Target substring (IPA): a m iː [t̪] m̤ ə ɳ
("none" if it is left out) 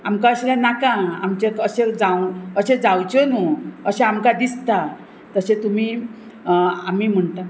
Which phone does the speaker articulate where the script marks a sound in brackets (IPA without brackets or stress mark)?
none